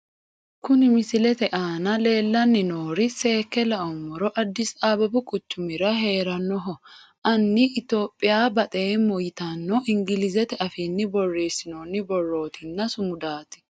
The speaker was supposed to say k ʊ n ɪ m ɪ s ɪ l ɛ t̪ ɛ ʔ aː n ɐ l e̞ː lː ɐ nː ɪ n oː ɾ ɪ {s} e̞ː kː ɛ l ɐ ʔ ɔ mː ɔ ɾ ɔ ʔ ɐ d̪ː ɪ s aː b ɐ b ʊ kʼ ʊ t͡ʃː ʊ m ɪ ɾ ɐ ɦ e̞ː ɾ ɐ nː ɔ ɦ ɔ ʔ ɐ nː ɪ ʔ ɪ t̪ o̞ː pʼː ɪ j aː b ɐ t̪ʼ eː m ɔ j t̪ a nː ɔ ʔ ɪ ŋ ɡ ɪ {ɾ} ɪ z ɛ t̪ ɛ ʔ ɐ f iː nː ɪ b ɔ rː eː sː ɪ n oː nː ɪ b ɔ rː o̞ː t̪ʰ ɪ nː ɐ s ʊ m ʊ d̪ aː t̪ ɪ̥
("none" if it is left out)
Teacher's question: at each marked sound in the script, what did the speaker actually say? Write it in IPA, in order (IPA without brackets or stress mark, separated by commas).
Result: s, l